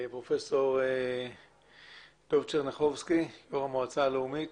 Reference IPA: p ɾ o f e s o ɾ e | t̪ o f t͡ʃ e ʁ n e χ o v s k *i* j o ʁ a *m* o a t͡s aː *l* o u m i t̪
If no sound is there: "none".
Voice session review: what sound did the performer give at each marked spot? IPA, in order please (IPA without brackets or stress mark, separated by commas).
i, m, l